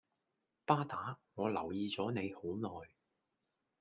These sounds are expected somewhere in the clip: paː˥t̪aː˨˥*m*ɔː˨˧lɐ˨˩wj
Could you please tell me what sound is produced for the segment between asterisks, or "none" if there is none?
ŋ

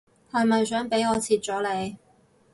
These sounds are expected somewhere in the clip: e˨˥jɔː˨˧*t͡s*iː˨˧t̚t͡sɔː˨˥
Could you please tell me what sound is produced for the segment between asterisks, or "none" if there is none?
t͡sʰ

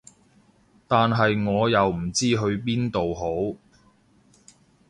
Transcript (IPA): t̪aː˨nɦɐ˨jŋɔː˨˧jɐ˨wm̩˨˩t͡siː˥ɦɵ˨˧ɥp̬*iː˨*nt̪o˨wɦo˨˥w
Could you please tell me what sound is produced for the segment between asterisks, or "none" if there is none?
iː˥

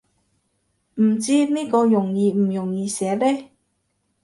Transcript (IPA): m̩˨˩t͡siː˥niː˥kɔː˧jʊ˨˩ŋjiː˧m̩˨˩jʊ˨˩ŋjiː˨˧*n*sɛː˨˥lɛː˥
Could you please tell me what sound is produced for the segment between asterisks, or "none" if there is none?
none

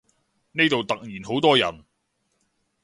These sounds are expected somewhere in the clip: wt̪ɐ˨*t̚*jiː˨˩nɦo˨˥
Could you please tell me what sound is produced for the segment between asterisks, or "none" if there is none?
k̚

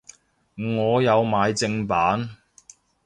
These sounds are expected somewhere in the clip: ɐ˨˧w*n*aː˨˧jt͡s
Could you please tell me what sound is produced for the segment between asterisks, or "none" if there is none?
m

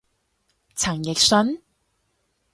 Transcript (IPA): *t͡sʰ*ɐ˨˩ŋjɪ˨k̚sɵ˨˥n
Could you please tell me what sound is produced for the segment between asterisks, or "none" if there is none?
t͡sʰ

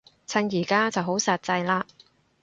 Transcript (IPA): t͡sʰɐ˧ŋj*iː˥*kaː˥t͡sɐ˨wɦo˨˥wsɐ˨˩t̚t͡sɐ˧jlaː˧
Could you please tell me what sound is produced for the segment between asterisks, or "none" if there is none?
iː˨˩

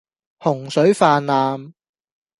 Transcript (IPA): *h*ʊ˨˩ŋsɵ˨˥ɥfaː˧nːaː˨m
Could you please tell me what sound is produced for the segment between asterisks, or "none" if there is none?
h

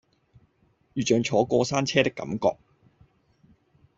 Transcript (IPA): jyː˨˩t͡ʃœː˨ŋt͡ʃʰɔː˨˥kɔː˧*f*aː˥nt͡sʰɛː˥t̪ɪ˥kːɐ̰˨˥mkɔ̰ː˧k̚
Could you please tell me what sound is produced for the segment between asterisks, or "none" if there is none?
s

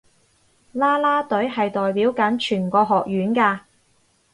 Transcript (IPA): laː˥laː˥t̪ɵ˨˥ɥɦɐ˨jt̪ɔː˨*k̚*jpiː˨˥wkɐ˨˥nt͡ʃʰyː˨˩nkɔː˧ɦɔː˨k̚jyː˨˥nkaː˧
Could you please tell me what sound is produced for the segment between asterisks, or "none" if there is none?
none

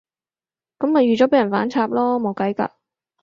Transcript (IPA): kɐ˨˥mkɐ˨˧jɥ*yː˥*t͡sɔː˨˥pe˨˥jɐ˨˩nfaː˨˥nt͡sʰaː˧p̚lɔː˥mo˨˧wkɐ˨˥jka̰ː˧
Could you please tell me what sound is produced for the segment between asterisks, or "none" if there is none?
yː˨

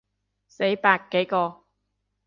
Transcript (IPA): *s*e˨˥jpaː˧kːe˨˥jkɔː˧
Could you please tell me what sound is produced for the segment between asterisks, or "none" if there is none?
s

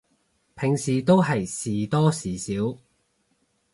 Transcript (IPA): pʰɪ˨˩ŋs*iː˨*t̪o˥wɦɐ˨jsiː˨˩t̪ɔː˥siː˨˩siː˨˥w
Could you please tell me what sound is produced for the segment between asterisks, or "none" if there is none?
iː˨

